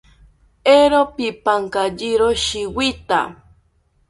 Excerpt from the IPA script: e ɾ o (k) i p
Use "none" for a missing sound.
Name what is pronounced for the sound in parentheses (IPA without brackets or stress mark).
p